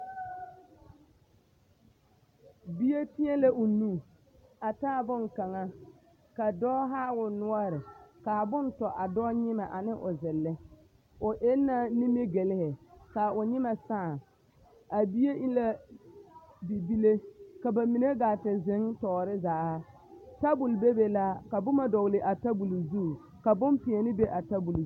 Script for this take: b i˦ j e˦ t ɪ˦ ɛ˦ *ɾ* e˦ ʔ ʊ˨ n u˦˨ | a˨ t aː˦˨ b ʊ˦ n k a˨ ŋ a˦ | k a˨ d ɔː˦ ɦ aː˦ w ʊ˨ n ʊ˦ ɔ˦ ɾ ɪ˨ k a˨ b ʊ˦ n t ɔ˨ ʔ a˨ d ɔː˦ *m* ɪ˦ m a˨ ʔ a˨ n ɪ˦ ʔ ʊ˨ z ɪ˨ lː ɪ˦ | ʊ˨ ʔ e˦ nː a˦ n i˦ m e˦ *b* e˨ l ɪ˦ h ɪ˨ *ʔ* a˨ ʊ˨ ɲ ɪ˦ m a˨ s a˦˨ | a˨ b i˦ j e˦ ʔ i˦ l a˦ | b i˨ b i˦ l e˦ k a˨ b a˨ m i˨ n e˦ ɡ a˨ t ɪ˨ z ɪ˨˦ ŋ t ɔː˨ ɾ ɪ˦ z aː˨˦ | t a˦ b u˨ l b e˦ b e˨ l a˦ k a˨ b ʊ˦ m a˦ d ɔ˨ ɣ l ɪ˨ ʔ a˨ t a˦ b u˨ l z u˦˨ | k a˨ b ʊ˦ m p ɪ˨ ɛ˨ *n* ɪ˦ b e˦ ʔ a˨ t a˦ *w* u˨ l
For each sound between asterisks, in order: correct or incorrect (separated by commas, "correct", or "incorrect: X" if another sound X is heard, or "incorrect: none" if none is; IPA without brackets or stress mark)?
incorrect: l, incorrect: ɲ, incorrect: ɡ, incorrect: k, correct, incorrect: b